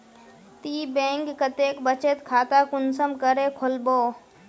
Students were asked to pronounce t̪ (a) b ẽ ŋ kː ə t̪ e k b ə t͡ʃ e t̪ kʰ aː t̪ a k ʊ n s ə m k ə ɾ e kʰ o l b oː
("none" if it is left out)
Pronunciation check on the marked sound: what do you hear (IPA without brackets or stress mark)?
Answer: i